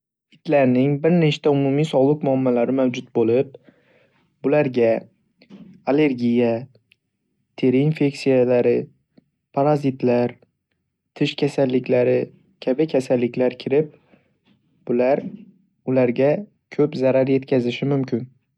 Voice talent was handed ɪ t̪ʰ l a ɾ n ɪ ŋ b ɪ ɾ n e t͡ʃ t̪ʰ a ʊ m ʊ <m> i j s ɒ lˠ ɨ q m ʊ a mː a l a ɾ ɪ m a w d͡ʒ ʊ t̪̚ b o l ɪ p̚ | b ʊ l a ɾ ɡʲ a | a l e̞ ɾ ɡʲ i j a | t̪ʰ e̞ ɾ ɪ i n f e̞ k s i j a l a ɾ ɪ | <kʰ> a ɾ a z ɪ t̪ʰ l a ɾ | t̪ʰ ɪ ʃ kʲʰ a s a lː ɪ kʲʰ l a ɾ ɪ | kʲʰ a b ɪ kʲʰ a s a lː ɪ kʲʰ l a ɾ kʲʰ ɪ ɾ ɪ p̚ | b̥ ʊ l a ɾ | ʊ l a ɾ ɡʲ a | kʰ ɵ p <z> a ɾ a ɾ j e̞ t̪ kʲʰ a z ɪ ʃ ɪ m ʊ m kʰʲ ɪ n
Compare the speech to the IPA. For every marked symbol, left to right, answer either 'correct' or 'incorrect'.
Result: correct, incorrect, correct

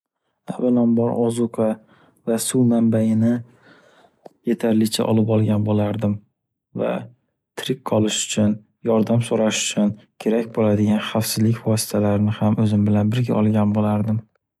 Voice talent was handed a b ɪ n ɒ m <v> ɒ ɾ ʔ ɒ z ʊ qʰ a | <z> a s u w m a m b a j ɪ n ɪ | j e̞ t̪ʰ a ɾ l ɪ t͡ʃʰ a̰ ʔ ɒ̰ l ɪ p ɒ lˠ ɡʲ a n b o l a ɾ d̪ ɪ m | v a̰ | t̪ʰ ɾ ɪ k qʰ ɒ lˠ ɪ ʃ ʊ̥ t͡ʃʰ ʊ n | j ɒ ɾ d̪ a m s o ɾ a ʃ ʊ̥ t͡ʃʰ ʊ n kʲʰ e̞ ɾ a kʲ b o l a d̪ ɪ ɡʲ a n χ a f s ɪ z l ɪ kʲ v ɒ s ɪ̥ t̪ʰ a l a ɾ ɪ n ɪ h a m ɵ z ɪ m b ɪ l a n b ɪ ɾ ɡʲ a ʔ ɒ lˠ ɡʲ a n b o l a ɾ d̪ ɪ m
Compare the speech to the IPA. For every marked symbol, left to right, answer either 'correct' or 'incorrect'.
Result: incorrect, incorrect

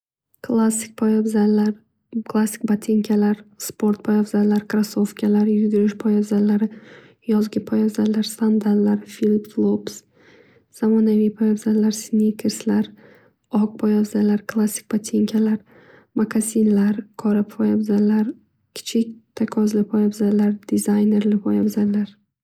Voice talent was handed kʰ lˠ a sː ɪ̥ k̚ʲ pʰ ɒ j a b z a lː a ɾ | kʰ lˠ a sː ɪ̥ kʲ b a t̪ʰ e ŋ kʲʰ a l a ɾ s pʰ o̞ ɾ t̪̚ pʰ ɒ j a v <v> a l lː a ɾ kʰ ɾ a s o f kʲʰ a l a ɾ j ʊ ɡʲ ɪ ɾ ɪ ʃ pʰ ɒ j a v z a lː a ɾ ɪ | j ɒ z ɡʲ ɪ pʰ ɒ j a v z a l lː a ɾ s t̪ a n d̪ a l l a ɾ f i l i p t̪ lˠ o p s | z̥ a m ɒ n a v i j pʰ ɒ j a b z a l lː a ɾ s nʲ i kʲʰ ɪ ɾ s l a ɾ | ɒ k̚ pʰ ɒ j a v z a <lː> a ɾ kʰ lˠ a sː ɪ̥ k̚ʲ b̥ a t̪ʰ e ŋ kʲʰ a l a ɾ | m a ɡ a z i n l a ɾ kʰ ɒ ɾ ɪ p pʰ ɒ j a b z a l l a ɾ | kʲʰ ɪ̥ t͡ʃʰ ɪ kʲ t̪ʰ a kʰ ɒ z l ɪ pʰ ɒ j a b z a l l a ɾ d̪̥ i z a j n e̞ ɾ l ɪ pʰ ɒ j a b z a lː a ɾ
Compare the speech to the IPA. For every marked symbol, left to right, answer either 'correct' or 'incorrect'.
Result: incorrect, incorrect

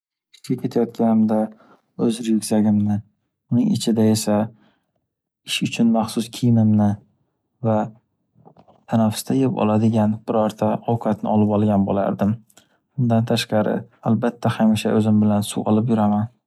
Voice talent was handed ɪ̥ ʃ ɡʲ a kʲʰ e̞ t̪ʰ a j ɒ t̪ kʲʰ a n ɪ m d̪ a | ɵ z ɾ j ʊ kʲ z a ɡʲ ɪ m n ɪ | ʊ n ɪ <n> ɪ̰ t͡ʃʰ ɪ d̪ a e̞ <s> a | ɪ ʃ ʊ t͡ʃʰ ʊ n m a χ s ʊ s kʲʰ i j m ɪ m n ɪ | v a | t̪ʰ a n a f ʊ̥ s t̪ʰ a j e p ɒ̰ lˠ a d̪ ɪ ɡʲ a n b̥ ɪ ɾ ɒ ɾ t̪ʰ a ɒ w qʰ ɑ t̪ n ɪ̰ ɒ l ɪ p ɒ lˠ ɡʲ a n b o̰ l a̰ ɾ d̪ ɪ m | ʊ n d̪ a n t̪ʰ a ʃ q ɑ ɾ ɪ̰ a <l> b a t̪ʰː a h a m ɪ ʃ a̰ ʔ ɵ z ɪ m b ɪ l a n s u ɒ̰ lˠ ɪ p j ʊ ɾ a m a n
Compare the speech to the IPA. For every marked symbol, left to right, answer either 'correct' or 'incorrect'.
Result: incorrect, correct, correct

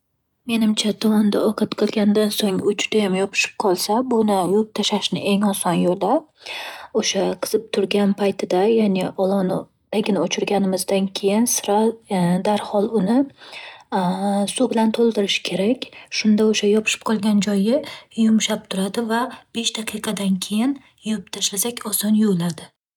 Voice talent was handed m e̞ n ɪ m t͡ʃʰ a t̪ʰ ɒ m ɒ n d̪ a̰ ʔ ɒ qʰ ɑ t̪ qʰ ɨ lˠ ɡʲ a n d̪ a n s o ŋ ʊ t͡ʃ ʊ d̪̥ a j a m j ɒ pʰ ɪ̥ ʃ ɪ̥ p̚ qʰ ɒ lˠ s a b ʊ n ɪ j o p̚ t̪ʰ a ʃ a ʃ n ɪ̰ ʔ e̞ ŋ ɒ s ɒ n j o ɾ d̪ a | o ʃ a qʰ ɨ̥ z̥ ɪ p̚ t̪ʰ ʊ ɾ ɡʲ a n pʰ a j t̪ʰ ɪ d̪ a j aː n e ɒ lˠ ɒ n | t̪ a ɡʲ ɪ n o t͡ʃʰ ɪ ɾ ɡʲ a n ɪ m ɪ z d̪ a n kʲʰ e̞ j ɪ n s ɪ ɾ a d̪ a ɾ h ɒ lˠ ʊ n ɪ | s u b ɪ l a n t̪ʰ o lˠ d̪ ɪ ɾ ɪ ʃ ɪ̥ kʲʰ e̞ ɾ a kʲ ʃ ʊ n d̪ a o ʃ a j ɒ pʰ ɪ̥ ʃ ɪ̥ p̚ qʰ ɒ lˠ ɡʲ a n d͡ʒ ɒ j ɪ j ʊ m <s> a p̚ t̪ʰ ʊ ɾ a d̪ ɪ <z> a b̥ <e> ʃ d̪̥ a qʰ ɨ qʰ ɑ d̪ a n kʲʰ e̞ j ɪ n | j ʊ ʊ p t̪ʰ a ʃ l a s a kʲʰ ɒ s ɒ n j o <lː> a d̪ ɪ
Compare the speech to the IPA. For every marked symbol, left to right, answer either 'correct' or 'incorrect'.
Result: incorrect, incorrect, correct, incorrect

